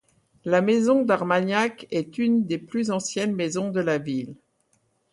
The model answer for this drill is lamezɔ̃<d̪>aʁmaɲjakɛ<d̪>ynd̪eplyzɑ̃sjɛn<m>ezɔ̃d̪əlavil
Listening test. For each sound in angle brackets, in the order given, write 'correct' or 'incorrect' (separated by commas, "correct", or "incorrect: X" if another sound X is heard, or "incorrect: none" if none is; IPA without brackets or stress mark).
correct, incorrect: t̪, correct